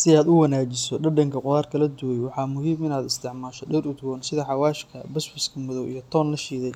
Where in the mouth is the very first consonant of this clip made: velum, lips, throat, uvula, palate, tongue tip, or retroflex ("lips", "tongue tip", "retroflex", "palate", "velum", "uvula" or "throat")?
tongue tip